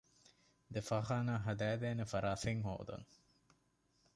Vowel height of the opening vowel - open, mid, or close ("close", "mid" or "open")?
mid